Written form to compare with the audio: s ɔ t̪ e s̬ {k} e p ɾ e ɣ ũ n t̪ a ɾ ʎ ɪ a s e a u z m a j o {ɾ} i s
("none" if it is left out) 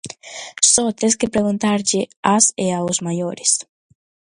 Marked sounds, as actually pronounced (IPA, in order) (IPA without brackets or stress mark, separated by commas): k, ɾ